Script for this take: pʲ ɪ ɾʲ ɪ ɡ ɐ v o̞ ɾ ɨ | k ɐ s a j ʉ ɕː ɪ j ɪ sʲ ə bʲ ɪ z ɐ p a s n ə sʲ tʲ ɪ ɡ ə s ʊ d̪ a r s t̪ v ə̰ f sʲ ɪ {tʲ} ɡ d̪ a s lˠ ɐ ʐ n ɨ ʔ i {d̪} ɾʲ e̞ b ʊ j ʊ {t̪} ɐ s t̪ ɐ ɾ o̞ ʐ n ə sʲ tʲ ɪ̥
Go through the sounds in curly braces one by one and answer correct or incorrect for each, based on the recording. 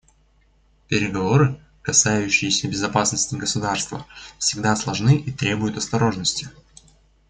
incorrect: none, incorrect: t̪, correct

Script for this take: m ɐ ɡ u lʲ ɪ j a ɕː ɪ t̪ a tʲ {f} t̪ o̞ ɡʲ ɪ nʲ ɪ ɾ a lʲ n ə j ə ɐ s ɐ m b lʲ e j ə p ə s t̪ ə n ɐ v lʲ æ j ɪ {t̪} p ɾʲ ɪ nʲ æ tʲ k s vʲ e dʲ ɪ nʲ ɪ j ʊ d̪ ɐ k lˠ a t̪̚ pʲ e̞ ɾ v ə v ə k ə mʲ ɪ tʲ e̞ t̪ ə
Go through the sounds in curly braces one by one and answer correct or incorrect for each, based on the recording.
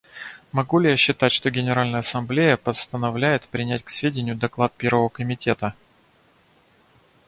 incorrect: ʂ, correct

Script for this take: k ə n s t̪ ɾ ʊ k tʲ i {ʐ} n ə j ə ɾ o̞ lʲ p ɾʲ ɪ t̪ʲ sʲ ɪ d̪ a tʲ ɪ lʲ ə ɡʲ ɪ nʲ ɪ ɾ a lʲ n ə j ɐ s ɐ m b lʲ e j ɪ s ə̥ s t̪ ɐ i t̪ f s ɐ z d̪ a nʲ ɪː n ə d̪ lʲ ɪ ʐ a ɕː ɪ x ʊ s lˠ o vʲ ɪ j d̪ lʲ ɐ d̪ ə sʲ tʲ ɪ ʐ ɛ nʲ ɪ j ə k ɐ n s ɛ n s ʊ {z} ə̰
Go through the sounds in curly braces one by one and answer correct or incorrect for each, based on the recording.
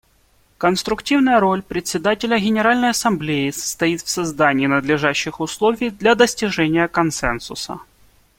incorrect: v, incorrect: s

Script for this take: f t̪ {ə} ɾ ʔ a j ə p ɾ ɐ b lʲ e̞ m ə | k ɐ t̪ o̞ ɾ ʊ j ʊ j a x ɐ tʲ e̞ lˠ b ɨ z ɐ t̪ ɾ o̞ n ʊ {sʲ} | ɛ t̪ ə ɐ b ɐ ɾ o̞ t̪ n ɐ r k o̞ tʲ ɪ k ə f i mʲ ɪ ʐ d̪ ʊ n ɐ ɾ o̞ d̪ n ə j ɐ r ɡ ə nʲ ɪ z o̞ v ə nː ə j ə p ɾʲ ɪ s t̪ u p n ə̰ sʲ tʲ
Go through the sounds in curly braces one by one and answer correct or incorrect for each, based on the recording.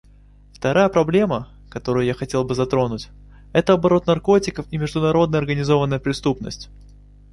incorrect: ɐ, incorrect: tʲ

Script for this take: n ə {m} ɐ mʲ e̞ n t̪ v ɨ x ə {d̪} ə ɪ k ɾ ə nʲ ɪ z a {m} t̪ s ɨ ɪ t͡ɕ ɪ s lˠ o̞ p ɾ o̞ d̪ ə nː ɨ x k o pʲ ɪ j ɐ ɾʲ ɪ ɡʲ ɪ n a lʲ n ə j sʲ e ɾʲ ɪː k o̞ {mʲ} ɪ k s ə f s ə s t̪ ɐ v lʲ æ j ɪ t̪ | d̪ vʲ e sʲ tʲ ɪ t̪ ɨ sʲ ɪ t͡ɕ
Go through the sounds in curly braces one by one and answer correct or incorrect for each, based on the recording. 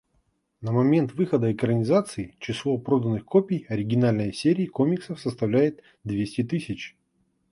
correct, correct, incorrect: none, correct

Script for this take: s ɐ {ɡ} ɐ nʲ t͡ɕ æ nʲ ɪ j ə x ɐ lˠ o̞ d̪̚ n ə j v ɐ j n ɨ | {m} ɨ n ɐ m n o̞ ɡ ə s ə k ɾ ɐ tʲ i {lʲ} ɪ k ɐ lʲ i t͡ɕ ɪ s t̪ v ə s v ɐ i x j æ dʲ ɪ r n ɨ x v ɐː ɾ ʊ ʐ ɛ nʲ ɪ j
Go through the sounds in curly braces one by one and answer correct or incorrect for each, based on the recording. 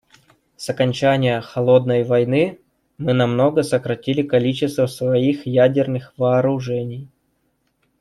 incorrect: k, correct, correct

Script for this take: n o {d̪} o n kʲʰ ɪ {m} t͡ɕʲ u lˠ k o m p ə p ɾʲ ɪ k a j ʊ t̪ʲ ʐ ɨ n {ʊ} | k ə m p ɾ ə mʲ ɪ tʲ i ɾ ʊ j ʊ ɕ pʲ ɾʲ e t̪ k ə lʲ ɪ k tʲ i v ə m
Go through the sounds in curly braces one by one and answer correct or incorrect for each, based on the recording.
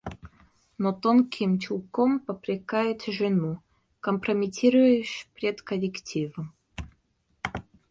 incorrect: t̪, correct, incorrect: u

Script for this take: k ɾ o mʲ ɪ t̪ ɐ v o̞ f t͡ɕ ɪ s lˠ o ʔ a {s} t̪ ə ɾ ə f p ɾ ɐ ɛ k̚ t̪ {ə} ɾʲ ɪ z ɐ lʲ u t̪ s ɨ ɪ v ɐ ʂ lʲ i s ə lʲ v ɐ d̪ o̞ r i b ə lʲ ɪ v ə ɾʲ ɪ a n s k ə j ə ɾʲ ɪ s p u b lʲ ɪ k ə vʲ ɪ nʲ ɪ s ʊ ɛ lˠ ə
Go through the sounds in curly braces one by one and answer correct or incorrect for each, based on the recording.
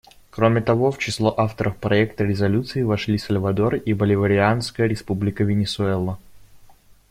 incorrect: f, correct

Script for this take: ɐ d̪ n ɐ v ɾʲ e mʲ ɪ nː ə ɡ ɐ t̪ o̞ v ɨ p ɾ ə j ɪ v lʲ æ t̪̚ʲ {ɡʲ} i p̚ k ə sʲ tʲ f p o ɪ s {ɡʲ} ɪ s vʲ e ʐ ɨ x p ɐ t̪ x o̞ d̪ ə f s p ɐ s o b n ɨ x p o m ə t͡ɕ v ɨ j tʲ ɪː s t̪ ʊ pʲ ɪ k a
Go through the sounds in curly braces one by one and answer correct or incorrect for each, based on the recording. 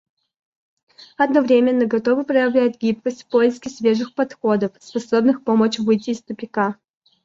correct, incorrect: kʲ

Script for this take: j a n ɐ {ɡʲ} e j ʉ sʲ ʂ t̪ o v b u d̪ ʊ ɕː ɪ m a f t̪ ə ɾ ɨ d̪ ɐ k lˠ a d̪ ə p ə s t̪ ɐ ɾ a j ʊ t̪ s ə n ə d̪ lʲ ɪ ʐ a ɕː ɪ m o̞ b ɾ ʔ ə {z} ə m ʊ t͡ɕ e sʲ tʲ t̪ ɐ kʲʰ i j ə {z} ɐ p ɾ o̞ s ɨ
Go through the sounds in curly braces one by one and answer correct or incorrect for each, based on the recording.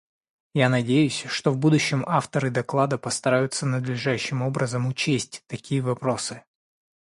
incorrect: dʲ, correct, incorrect: v

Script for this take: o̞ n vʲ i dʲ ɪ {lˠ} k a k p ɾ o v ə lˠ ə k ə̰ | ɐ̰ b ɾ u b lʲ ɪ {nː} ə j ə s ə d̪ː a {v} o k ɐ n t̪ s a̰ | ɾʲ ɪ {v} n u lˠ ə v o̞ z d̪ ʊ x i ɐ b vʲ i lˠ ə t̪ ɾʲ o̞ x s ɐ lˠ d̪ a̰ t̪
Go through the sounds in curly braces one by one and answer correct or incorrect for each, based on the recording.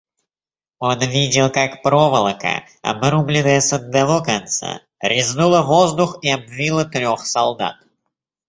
correct, incorrect: n, correct, incorrect: z

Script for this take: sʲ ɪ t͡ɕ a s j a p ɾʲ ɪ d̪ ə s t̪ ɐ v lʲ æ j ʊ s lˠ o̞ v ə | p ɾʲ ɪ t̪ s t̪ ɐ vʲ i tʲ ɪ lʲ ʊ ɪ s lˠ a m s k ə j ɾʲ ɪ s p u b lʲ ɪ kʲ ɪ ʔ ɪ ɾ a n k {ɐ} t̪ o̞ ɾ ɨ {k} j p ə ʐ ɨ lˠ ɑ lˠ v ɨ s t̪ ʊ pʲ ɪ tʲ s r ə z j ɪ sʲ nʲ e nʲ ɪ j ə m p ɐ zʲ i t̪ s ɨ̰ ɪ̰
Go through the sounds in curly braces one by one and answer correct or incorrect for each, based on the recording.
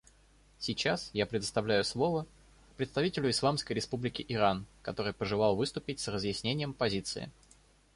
correct, incorrect: none

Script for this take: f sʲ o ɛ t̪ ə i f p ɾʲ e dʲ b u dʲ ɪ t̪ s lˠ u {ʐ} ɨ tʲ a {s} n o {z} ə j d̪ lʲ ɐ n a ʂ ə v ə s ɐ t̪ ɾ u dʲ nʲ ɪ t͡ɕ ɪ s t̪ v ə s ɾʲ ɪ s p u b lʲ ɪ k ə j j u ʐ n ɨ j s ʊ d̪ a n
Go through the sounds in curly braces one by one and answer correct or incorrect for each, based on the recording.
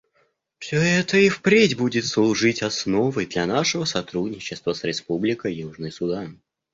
correct, correct, incorrect: v

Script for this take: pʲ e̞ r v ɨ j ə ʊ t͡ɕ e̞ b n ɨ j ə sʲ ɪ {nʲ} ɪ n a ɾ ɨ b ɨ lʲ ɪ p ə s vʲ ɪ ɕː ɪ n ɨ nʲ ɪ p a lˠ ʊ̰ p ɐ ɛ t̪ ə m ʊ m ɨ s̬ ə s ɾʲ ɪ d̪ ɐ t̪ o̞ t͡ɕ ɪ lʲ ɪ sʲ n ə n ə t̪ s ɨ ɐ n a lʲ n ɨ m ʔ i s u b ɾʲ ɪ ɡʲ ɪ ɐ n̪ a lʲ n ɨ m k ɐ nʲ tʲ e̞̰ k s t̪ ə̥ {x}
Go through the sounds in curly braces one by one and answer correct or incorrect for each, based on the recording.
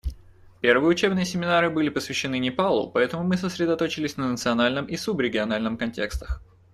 incorrect: mʲ, correct

